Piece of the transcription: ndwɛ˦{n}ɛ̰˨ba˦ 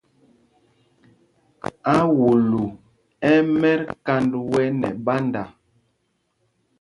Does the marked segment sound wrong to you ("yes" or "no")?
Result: no